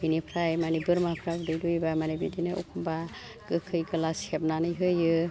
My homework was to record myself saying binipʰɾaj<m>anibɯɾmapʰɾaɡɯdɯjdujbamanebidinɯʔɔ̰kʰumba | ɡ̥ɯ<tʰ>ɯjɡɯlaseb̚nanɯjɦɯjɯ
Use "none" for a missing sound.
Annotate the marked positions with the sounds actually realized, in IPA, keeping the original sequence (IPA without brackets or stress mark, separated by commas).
m, kʰ